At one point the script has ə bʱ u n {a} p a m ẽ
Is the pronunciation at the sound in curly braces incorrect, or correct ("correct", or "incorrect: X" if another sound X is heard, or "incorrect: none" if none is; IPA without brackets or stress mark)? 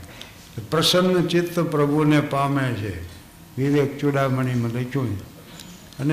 incorrect: e